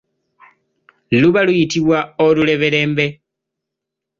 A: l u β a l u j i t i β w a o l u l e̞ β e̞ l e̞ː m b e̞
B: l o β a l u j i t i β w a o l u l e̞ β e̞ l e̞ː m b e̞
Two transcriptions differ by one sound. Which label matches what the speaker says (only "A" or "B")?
A